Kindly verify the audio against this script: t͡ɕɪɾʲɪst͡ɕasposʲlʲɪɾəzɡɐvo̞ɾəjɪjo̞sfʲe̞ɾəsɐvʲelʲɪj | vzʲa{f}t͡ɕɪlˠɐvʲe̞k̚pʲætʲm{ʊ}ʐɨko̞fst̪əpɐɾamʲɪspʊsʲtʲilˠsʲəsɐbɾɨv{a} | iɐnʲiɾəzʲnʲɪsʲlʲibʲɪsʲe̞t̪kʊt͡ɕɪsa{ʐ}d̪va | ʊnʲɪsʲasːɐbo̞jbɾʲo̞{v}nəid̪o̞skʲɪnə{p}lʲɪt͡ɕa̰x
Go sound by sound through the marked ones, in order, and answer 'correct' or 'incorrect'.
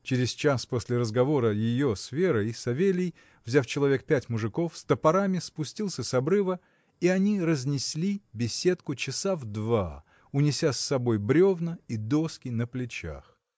correct, correct, incorrect: ə, incorrect: v, correct, correct

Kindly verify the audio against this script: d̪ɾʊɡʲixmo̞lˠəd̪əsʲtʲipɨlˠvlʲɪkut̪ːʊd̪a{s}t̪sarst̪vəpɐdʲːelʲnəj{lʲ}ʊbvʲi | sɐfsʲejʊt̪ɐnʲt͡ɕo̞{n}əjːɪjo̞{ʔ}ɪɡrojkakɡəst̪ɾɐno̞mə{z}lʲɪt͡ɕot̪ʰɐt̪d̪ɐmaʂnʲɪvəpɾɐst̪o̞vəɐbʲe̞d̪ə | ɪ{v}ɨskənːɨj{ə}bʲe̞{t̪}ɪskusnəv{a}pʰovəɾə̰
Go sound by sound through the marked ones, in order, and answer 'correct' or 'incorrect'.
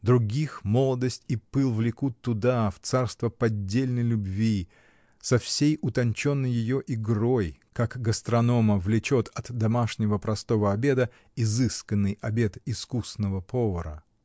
incorrect: f, correct, incorrect: nː, correct, incorrect: v, incorrect: z, incorrect: ɐ, correct, incorrect: ə

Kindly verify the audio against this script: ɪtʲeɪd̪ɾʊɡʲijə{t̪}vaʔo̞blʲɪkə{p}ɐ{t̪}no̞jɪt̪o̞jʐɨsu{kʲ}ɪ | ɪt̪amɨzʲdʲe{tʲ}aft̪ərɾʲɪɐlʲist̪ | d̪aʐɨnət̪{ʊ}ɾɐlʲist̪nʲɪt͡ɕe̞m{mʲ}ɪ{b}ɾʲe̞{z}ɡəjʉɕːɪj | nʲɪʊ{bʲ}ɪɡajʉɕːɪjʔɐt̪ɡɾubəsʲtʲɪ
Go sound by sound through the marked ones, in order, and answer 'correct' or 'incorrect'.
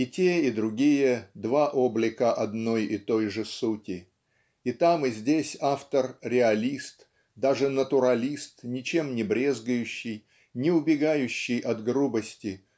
incorrect: d̪, incorrect: ʔ, incorrect: d̪, incorrect: tʲ, incorrect: sʲ, correct, incorrect: nʲ, correct, correct, correct

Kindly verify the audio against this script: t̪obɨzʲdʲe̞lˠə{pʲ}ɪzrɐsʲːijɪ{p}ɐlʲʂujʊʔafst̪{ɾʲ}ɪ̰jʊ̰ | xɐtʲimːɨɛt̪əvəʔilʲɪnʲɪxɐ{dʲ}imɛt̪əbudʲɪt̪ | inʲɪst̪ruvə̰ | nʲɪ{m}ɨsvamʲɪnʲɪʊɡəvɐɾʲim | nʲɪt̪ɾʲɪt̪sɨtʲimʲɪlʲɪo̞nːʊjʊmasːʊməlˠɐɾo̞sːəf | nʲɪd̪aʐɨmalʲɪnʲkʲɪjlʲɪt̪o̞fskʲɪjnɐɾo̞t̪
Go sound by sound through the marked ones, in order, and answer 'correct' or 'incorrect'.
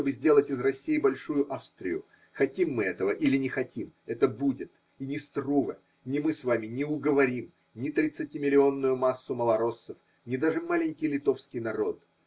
incorrect: tʲ, incorrect: b, correct, incorrect: tʲ, correct

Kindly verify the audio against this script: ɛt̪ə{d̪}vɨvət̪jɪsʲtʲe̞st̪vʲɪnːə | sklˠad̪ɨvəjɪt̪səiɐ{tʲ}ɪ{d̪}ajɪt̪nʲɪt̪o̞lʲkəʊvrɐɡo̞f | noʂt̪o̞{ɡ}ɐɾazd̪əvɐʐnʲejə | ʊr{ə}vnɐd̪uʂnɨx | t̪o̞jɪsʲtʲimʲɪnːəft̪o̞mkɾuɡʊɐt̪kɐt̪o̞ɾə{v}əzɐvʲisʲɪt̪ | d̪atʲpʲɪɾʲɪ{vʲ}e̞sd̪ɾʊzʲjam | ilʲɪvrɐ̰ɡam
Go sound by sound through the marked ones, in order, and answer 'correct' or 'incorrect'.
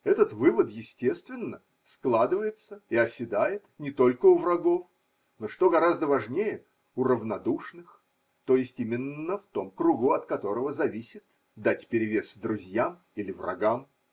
incorrect: t̪, incorrect: sʲ, correct, correct, correct, correct, correct

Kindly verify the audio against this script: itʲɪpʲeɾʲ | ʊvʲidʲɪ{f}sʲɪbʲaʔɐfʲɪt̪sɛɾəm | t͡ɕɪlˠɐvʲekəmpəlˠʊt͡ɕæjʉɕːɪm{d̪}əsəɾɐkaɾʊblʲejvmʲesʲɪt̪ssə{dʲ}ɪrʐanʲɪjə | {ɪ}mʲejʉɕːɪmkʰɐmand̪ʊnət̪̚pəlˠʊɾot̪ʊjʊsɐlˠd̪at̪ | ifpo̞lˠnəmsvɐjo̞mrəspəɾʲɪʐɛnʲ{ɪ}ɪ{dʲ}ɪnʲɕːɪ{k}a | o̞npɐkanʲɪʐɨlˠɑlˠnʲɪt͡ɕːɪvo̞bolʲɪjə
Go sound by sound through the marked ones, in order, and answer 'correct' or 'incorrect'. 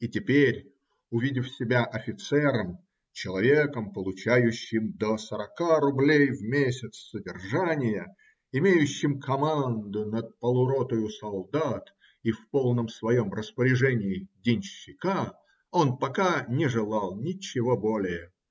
correct, correct, correct, correct, correct, correct, correct

